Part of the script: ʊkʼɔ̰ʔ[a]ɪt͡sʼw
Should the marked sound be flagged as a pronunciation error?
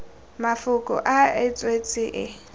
no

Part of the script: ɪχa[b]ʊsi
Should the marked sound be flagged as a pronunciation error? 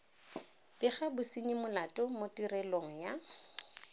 no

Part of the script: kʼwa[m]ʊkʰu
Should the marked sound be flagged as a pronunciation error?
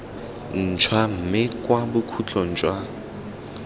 yes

